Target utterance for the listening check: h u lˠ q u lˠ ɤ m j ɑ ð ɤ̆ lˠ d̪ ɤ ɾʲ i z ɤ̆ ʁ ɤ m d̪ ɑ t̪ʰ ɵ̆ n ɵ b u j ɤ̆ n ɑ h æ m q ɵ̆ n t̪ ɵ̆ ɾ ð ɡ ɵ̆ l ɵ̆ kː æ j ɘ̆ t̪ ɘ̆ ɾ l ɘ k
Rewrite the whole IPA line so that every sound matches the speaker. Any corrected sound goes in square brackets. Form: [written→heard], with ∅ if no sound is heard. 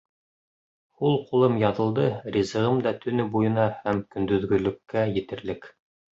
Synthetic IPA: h u lˠ q u lˠ ɤ m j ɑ ð ɤ̆ lˠ d̪ ɤ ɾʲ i z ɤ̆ ʁ ɤ m d̪ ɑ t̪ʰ ɵ̆ n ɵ b u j ɤ̆ n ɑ h æ m [q→k] ɵ̆ n [t̪→d̪] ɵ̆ [ɾ→∅] ð ɡ ɵ̆ l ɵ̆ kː æ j ɘ̆ t̪ ɘ̆ ɾ l ɘ k

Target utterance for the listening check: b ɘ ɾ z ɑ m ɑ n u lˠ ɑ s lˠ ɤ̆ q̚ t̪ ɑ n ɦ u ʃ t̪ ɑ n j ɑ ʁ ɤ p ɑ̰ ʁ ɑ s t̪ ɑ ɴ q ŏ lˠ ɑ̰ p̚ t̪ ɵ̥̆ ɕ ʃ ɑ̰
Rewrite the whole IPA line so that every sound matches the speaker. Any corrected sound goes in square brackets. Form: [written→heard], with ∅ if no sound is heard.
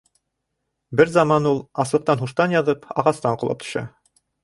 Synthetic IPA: b ɘ ɾ z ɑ m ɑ n u lˠ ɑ s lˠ ɤ̆ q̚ t̪ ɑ n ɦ u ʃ t̪ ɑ n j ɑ [ʁ→ð] ɤ p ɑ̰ ʁ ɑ s t̪ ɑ ɴ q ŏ lˠ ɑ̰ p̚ t̪ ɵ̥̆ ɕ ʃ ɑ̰

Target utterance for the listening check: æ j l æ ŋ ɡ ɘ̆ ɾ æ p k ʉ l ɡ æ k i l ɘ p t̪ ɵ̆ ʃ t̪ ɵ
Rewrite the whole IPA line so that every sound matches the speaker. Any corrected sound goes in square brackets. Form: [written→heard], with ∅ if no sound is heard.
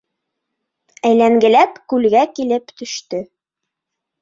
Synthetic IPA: æ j l æ ŋ ɡ ɘ̆ [ɾ→l] æ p k ʉ l ɡ æ k i l ɘ p t̪ ɵ̆ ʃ t̪ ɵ

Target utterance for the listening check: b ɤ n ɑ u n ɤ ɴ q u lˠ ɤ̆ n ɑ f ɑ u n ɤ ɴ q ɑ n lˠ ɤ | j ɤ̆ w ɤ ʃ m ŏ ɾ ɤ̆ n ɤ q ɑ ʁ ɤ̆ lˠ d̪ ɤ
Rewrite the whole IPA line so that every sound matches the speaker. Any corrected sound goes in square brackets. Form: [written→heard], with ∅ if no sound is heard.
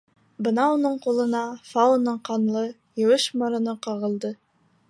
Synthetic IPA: b ɤ n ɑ u n ɤ ɴ q u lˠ ɤ̆ n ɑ f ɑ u n ɤ ɴ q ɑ n lˠ ɤ | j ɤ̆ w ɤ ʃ m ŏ ɾ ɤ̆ n ɤ q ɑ ʁ ɤ̆ lˠ d̪ ɤ

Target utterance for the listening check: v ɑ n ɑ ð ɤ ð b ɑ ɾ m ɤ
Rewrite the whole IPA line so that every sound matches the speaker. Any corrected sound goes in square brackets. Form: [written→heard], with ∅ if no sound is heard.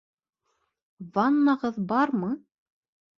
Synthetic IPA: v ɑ [n→nː] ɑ [ð→ʁ] ɤ ð b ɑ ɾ m ɤ

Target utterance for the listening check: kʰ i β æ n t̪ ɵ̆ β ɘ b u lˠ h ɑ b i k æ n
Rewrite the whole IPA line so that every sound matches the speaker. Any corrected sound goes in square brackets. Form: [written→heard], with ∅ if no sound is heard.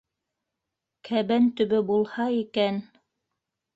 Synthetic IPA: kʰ [i→æ] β æ n t̪ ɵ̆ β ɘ b u lˠ h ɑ [b→∅] i k æ n

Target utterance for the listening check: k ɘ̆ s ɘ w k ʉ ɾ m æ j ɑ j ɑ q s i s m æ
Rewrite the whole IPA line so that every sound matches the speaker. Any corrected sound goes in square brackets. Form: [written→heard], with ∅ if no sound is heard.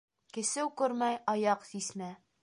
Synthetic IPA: k ɘ̆ s ɘ w k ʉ ɾ m æ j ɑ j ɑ q s i s m æ

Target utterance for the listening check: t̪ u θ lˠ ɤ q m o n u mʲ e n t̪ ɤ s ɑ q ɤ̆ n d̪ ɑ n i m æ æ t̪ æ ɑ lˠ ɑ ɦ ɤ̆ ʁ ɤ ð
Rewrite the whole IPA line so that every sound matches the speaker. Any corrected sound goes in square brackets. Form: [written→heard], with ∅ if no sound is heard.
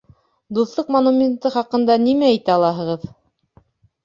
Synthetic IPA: [t̪→d̪] u θ lˠ ɤ q m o n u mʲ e n t̪ ɤ [s→χ] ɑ q ɤ̆ n d̪ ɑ n i m æ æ t̪ æ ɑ lˠ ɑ ɦ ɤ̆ ʁ ɤ ð

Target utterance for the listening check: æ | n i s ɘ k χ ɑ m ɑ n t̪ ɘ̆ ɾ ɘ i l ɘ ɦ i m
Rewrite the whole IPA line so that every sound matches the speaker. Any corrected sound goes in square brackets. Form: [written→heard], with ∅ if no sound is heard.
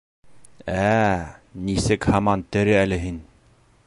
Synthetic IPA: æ | n i s ɘ k [χ→h] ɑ m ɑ n t̪ ɘ̆ ɾ ɘ [i→æ] l ɘ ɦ i [m→n]

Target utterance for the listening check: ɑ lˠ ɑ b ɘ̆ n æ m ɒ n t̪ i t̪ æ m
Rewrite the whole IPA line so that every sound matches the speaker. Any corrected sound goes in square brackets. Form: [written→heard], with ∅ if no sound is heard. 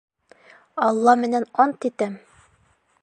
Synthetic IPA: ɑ [lˠ→lˠː] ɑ [b→m] ɘ̆ n æ [m→n] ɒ n t̪ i t̪ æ m

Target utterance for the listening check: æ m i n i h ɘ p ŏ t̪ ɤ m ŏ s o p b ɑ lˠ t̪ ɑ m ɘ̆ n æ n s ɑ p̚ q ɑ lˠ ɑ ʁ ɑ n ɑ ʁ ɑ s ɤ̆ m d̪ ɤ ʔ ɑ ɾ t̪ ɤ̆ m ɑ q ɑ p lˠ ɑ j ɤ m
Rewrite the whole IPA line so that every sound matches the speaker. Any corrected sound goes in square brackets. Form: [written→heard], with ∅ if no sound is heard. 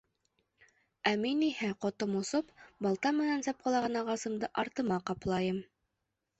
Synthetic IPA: æ m i n i h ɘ [p→q] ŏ t̪ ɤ m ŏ s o p b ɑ lˠ t̪ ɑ m ɘ̆ n æ n s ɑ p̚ q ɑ lˠ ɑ ʁ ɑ n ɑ ʁ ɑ s ɤ̆ m d̪ ɤ ʔ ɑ ɾ t̪ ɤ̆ m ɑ q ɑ p lˠ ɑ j ɤ m

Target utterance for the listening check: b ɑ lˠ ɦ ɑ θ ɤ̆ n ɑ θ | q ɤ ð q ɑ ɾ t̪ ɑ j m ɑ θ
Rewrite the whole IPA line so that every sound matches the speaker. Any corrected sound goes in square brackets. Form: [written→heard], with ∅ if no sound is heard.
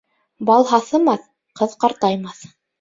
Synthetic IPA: b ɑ lˠ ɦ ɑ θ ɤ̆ [n→m] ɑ θ | q ɤ ð q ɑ ɾ t̪ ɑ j m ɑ θ

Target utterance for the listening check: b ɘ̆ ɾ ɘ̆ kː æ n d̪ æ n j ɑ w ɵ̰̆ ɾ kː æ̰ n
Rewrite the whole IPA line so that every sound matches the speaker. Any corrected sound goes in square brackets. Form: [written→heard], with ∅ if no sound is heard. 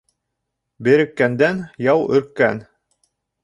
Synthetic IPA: b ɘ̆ ɾ ɘ̆ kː æ n d̪ æ n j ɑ w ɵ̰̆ ɾ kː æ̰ n

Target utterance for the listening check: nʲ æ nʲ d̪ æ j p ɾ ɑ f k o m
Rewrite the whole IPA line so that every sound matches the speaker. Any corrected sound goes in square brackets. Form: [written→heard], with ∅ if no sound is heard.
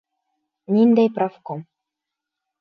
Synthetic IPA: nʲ [æ→i] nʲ d̪ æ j p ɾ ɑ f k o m

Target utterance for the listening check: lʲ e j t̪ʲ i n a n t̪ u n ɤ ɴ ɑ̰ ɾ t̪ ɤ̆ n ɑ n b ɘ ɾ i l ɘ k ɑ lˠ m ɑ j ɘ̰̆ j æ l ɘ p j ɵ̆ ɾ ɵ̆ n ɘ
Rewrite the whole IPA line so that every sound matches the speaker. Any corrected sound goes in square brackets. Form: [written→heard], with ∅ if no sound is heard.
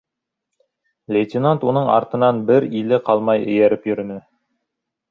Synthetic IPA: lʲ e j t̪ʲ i n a n t̪ u n ɤ ɴ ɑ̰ ɾ t̪ ɤ̆ n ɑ n b ɘ ɾ i l ɘ [k→q] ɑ lˠ m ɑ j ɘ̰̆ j æ [l→ɾ] ɘ p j ɵ̆ ɾ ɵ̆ n ɘ

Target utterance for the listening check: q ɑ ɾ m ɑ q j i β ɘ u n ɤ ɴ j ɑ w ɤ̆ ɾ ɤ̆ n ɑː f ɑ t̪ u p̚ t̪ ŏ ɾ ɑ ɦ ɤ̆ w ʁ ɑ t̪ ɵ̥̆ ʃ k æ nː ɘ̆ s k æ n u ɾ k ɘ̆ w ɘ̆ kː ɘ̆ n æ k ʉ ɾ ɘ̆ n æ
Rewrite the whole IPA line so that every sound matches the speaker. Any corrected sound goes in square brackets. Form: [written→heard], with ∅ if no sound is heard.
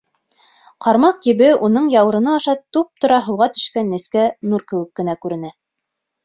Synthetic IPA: q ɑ ɾ m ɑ q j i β ɘ u n ɤ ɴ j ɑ w ɤ̆ ɾ ɤ̆ n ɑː [f→ʃ] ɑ t̪ u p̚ t̪ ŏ ɾ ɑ ɦ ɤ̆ w ʁ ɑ t̪ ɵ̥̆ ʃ k æ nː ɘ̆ s k æ n u ɾ k ɘ̆ w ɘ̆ kː ɘ̆ n æ k ʉ ɾ ɘ̆ n æ

